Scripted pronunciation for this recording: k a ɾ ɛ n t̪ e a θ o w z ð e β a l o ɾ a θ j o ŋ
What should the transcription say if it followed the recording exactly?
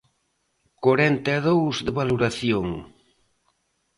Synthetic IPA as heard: k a ɾ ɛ n t̪ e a ð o w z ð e β a l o ɾ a θ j o ŋ